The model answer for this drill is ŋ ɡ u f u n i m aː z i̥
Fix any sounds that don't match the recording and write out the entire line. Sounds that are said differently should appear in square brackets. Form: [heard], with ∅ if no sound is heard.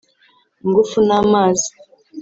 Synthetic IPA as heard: ŋ ɡ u f u n [a] m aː z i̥